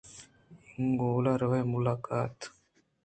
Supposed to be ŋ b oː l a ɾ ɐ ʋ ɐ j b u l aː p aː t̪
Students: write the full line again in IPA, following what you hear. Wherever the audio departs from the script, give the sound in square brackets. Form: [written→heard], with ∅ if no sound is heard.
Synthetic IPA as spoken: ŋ [b→ɡ] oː l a ɾ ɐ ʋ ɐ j [b→m] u l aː [p→k] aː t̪